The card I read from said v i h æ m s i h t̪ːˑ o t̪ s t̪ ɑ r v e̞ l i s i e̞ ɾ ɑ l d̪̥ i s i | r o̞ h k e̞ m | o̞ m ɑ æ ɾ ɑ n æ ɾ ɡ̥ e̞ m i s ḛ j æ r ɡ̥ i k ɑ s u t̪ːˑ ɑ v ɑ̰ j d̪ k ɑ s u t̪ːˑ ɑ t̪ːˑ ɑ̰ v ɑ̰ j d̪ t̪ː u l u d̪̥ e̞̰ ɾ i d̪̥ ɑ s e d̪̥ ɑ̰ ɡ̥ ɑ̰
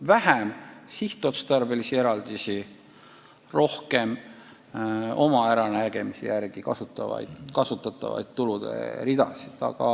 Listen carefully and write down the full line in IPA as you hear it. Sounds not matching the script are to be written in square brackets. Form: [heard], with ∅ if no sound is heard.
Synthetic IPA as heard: v [æ] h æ m s i h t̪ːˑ o t̪ s t̪ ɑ r [b] e̞ l i s i e̞ ɾ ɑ l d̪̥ i s i | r o̞ h k e̞ m | o̞ m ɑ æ ɾ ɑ n æ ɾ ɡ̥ e̞ m i s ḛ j æ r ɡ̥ i k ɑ s u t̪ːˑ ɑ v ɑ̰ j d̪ k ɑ s u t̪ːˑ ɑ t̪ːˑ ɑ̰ v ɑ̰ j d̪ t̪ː u l u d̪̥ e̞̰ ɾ i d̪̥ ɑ s [i] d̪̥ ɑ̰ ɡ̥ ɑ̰